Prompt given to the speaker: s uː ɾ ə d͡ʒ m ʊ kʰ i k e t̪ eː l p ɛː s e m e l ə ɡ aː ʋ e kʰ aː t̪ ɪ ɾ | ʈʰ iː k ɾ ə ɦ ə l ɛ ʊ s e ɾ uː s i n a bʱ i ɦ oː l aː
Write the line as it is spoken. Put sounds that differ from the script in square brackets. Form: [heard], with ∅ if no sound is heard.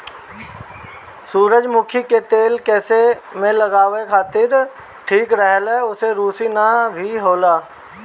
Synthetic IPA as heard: s uː ɾ ə d͡ʒ m ʊ kʰ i k e t̪ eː l [k] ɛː s e m [ẽ] l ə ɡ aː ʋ e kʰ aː t̪ ɪ ɾ | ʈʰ iː k ɾ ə ɦ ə l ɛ ʊ s e ɾ uː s i n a bʱ i ɦ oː l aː